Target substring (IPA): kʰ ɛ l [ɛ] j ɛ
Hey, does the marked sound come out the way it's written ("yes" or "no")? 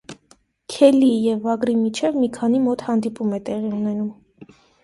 no